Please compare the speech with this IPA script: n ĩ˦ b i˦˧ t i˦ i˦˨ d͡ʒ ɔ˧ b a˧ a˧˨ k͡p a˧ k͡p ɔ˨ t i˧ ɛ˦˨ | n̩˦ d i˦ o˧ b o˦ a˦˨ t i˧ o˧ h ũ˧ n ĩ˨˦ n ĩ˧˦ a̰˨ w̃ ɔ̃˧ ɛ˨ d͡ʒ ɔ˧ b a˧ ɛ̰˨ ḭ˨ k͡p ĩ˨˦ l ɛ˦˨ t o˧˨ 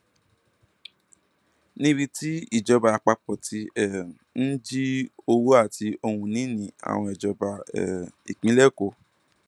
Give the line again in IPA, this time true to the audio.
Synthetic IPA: n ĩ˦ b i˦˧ t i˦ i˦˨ d͡ʒ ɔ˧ b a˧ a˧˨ k͡p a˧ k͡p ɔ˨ t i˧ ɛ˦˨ | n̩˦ d͡ʒ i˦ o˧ w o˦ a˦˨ t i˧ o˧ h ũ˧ n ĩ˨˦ n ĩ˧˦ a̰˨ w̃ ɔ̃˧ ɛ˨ d͡ʒ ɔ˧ b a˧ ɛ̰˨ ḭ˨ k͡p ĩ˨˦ l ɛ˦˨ k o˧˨